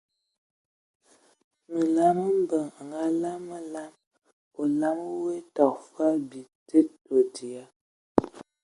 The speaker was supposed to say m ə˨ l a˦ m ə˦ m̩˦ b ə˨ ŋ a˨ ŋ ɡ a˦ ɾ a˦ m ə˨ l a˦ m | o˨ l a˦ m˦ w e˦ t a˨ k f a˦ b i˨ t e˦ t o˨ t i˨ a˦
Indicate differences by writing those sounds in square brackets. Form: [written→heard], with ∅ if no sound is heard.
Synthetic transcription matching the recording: m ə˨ l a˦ m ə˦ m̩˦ b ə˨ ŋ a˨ ŋ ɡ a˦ [ɾ→l] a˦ m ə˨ l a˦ m | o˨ l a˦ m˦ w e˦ t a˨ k f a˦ b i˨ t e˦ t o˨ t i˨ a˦